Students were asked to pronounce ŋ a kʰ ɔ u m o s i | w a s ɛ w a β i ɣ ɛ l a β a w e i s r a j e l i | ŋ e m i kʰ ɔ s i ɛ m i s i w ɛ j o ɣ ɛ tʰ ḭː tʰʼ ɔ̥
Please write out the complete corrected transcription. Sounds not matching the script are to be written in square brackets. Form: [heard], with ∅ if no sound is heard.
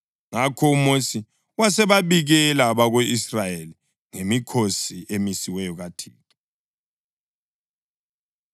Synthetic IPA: ŋ a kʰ ɔ u m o s i | w a s ɛ [β] a β i ɣ ɛ l a β a [ɣ] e i s r a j e l i | ŋ e m i kʰ [o] s i [e] m i s i w ɛ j [ɔ] ɣ [a] tʰ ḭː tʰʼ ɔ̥